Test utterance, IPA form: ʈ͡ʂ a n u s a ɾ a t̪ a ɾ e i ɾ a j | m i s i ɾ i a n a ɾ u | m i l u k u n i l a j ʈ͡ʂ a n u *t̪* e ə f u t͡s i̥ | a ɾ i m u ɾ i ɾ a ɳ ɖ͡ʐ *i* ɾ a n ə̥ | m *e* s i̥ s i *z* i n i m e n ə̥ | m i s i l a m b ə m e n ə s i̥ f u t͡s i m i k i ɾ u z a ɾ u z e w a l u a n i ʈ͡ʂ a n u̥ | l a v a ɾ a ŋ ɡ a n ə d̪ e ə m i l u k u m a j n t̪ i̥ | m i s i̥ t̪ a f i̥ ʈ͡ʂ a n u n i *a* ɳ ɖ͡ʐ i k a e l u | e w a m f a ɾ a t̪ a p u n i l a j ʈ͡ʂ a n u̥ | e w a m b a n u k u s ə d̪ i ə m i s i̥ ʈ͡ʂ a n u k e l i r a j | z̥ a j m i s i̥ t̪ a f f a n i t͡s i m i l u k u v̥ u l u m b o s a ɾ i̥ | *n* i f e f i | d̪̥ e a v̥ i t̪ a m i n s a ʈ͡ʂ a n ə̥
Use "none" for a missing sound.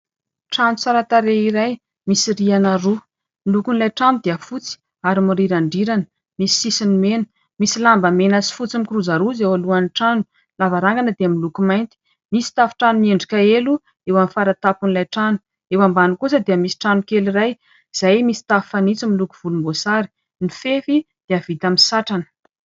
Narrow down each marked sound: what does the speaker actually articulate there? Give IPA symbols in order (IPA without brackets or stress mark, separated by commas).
d̪, i, i, s, e, n